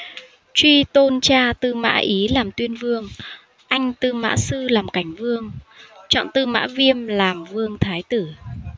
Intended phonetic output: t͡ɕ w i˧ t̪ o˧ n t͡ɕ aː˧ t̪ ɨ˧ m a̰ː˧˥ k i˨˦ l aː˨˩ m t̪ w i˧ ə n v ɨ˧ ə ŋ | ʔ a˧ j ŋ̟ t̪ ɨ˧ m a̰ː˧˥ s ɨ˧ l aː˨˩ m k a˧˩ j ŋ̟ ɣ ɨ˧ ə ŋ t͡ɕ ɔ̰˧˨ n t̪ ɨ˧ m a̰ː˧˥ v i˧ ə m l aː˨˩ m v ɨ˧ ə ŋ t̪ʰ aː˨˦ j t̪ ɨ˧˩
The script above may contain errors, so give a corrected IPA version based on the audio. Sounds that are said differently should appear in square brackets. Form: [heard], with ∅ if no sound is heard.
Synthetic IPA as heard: t͡ɕ w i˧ t̪ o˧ n t͡ɕ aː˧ t̪ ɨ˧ m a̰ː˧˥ [ʔ] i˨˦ l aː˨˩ m t̪ w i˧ ə n v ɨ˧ ə ŋ | ʔ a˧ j ŋ̟ t̪ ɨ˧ m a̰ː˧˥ s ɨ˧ l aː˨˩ m k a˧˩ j ŋ̟ [v] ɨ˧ ə ŋ t͡ɕ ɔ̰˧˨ n t̪ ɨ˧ m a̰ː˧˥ v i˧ ə m l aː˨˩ m v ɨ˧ ə ŋ t̪ʰ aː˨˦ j t̪ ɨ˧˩

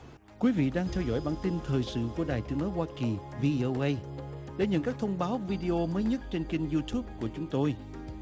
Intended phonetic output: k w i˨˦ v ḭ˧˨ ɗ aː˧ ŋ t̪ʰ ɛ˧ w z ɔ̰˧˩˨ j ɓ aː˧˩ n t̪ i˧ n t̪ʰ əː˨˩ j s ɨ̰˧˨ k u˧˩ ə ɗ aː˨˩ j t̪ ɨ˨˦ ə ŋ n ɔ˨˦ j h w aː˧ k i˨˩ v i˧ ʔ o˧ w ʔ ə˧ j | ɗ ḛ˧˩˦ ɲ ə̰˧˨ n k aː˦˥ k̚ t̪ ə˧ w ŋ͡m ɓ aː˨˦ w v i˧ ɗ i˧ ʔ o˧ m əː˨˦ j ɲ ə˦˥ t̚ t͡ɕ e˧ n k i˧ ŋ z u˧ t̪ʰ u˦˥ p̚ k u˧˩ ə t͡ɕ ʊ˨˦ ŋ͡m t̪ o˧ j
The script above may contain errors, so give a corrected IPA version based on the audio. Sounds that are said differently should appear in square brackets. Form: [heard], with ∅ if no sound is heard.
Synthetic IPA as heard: k w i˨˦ v ḭ˧˨ ɗ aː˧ ŋ t̪ʰ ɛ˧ w z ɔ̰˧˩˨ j ɓ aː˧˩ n t̪ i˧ n t̪ʰ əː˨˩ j s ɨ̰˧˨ k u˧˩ ə ɗ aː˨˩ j t̪ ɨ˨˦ ə ŋ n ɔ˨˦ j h w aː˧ k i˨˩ v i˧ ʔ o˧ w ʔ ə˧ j | ɗ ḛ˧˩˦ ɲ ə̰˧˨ n k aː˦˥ k̚ [t̪ʰ] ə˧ w ŋ͡m ɓ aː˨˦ w v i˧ ɗ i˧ ʔ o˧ m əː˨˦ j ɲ ə˦˥ t̚ t͡ɕ e˧ n k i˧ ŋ z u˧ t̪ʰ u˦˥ p̚ k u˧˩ ə t͡ɕ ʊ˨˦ ŋ͡m t̪ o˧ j

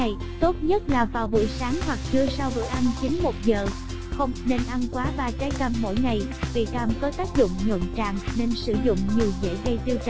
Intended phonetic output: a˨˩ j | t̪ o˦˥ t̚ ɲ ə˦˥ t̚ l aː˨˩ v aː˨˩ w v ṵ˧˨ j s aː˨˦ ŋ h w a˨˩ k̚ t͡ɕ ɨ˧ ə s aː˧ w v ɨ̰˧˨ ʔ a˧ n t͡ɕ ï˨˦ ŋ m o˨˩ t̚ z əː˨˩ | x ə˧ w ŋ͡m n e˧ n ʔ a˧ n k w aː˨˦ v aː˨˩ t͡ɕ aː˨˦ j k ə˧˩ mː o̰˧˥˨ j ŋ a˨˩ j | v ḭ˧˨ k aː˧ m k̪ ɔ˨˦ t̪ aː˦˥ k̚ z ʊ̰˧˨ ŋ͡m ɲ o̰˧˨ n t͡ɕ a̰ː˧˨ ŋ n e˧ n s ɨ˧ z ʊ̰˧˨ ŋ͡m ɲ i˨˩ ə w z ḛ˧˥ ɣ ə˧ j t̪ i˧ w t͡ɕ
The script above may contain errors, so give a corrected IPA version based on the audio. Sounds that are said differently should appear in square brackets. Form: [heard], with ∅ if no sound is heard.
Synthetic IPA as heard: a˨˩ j | t̪ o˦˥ t̚ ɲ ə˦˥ t̚ l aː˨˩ v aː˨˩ w v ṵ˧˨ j s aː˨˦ ŋ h w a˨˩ k̚ t͡ɕ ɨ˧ ə s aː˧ w v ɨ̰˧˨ ʔ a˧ n t͡ɕ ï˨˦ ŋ m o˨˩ t̚ z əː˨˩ | x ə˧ w ŋ͡m n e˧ n ʔ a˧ n k w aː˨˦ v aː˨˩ t͡ɕ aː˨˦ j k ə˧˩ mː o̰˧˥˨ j ŋ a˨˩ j | v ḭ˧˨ k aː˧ m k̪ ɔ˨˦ t̪ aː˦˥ k̚ z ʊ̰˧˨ ŋ͡m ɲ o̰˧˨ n t͡ɕ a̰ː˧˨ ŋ n e˧ n s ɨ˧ z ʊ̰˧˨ ŋ͡m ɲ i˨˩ ə w z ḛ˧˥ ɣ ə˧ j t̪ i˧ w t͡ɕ

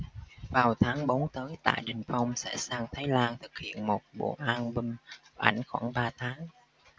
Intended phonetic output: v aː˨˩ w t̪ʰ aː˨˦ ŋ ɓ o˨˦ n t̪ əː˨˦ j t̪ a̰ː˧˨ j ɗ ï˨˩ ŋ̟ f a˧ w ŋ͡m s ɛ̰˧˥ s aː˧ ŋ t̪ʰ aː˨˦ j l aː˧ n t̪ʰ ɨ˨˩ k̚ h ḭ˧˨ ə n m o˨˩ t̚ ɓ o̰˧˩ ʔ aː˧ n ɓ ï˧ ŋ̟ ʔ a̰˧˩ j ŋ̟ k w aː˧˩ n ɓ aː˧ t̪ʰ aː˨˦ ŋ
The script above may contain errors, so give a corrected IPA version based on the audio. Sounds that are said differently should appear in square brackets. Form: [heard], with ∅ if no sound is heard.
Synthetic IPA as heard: v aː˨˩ w t̪ʰ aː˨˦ ŋ ɓ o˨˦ n t̪ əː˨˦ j t̪ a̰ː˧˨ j ɗ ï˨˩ ŋ̟ f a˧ w ŋ͡m s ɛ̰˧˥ s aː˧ ŋ t̪ʰ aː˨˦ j l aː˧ n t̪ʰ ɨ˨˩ k̚ h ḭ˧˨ ə n m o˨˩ t̚ ɓ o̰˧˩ ʔ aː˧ n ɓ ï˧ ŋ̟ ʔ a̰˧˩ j ŋ̟ [x] w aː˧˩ n ɓ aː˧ t̪ʰ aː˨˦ ŋ

